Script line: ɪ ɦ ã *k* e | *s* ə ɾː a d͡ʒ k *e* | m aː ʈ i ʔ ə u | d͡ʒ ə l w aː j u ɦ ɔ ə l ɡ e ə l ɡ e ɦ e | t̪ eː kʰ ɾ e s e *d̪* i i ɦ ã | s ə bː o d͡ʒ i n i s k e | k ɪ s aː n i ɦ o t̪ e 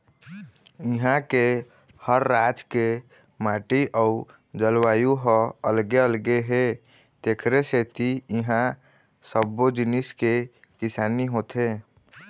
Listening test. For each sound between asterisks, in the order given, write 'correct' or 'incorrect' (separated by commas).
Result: correct, incorrect, correct, incorrect